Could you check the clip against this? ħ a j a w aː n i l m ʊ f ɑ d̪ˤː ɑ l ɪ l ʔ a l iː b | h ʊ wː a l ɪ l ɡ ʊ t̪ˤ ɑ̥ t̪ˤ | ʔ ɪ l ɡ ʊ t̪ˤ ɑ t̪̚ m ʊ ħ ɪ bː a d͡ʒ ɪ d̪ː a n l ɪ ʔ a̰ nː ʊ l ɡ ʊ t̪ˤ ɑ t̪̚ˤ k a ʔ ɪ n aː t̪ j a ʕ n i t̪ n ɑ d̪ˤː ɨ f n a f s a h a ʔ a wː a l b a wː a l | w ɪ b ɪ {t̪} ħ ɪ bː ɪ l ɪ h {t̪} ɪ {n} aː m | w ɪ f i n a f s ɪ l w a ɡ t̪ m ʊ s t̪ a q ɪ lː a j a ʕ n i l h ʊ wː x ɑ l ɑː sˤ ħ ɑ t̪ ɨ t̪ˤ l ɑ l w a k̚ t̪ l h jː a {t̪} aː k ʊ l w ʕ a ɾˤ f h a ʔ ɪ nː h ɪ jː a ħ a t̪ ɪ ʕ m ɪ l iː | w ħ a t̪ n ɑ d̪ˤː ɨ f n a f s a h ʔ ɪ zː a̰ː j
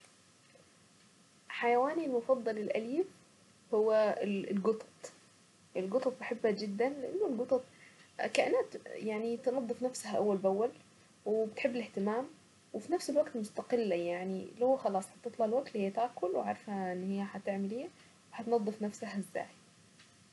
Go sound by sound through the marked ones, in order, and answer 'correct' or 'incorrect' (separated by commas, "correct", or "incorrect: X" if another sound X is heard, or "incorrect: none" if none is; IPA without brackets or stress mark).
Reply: correct, correct, incorrect: m, correct